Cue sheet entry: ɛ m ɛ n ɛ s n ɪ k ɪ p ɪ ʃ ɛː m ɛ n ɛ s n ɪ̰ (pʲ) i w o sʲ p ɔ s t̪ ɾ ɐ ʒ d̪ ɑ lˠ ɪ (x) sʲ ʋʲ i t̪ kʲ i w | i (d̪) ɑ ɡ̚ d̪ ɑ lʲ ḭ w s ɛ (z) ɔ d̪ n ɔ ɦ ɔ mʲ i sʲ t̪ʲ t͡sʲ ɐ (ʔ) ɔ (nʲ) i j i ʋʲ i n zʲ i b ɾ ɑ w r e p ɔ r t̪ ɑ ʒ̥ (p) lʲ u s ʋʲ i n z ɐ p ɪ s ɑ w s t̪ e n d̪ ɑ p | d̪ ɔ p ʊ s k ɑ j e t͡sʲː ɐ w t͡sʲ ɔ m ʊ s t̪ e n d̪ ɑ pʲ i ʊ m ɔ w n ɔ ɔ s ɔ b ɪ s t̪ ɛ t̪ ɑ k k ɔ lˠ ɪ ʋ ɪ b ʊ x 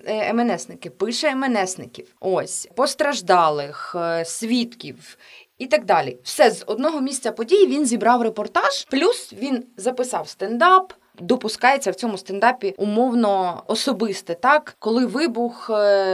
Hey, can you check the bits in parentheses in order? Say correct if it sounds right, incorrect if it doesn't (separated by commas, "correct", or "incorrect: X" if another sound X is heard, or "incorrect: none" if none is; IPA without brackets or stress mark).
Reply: incorrect: kʲ, correct, incorrect: t̪, correct, incorrect: p, incorrect: dʲ, correct